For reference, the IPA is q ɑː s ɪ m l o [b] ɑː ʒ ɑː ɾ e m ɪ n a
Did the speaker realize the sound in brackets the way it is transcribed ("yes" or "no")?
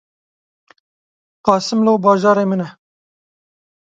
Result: yes